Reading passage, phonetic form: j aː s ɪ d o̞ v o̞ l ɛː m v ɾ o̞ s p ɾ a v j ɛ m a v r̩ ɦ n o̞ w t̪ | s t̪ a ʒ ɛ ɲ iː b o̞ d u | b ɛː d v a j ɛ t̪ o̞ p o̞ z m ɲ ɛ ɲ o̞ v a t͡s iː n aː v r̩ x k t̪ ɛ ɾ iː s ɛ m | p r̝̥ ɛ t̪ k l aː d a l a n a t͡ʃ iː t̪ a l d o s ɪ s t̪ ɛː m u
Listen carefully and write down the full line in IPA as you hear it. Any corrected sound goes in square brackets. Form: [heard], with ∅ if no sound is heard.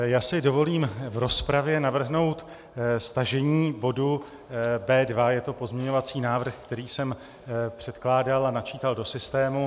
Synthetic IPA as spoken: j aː s ɪ d o̞ v o̞ l [iː] m v ɾ o̞ s p ɾ a v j ɛ [n] a v r̩ ɦ n o̞ w t̪ | s t̪ a ʒ ɛ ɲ iː b o̞ d u | b ɛː d v a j ɛ t̪ o̞ p o̞ z m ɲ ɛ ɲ o̞ v a t͡s iː n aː v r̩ x k t̪ ɛ ɾ iː s ɛ m | p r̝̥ ɛ t̪ k l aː d a l a n a t͡ʃ iː t̪ a l d o s ɪ s t̪ ɛː m u

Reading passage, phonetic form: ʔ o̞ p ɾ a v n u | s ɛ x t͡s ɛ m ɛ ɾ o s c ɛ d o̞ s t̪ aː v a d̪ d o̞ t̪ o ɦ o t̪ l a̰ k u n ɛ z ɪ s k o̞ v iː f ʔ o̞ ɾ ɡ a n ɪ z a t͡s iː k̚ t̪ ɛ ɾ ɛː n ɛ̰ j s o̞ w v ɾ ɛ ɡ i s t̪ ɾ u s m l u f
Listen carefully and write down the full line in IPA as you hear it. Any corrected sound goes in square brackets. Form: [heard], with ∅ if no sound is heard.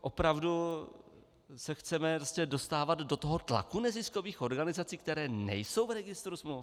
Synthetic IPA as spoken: ʔ o̞ p ɾ a v [d] u | s ɛ x t͡s ɛ m ɛ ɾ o s c ɛ d o̞ s t̪ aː v a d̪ d o̞ t̪ o ɦ o t̪ l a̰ k u n ɛ z ɪ s k o̞ v iː [x] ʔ o̞ ɾ ɡ a n ɪ z a t͡s iː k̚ t̪ ɛ ɾ ɛː n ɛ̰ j s o̞ w v ɾ ɛ ɡ [ɪ] s t̪ ɾ u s m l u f

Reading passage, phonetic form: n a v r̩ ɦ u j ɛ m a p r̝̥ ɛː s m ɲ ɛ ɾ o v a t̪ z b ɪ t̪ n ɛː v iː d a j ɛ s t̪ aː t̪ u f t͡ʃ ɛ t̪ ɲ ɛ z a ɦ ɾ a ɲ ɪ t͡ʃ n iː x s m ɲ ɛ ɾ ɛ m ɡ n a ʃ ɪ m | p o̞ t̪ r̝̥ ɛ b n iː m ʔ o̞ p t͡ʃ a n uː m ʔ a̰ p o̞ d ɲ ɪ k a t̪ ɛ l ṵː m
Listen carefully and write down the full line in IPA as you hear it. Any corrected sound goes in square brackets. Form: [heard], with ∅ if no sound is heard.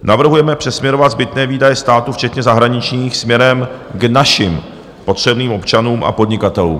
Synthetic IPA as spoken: n a v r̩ ɦ u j ɛ m [ɛ] p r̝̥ [ɛ] s m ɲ ɛ ɾ o v a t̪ z b ɪ t̪ n ɛː v iː d a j ɛ s t̪ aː t̪ u f t͡ʃ ɛ t̪ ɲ ɛ z a ɦ ɾ a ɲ ɪ t͡ʃ [ɲ] iː x s m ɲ ɛ ɾ ɛ m ɡ n a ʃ ɪ m | p o̞ t̪ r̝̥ ɛ b n iː m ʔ o̞ p t͡ʃ a n uː m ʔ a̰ p o̞ d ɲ ɪ k a t̪ ɛ l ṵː m

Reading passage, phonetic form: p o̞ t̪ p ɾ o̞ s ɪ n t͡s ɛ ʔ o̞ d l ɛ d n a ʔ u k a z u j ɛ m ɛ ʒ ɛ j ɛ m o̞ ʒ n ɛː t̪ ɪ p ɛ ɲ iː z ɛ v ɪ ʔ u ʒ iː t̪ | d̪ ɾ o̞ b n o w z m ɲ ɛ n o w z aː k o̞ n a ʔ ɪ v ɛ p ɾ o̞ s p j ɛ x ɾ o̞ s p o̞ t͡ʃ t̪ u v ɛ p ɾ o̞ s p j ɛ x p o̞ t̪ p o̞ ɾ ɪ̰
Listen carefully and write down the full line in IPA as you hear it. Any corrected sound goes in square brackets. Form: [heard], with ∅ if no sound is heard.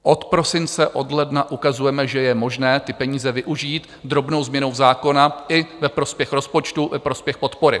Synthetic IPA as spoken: [ʔ] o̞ t̪ p ɾ o̞ s ɪ n t͡s ɛ ʔ o̞ d l ɛ d n a ʔ u k a z u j ɛ m ɛ ʒ ɛ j ɛ m o̞ ʒ n ɛː t̪ ɪ p ɛ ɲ iː z ɛ v ɪ ʔ u ʒ iː t̪ | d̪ ɾ o̞ b n o w z m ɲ ɛ n o w z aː k o̞ n a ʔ ɪ v ɛ p ɾ o̞ s p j ɛ x ɾ o̞ s p o̞ t͡ʃ t̪ u v ɛ p ɾ o̞ s p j ɛ x p o̞ t̪ p o̞ ɾ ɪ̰

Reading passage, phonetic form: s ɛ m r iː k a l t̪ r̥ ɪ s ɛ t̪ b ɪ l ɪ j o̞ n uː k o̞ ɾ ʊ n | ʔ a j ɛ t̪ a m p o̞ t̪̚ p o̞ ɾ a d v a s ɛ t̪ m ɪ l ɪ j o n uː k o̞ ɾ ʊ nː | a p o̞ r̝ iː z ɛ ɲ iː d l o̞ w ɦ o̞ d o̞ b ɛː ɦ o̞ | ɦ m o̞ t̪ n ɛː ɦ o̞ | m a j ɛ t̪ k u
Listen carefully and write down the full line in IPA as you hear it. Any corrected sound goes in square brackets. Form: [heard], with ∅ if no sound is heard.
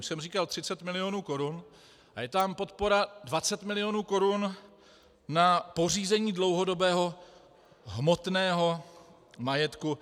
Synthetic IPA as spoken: s ɛ m r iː k a l t̪ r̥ ɪ [t͡s] ɛ t̪ [m] ɪ l ɪ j o̞ n uː k o̞ ɾ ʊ n | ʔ a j ɛ t̪ a m p o̞ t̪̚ p o̞ ɾ a d v a [t͡s] ɛ t̪ m ɪ l ɪ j o n uː k o̞ ɾ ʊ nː | a p o̞ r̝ iː z ɛ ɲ iː d l o̞ w ɦ o̞ d o̞ b ɛː ɦ o̞ | ɦ m o̞ t̪ n ɛː ɦ o̞ | m a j ɛ t̪ k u

